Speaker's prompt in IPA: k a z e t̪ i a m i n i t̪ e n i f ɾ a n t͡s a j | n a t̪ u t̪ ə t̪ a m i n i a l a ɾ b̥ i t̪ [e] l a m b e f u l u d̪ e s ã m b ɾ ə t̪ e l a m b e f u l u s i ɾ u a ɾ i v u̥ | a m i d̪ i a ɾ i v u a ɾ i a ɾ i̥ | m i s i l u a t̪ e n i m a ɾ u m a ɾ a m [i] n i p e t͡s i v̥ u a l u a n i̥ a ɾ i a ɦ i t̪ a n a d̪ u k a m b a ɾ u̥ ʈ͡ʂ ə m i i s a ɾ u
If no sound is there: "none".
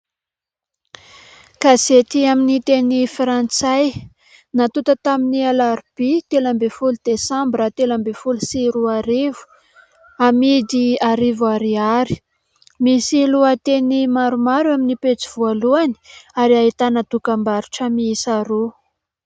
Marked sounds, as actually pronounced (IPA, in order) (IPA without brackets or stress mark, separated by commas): e, i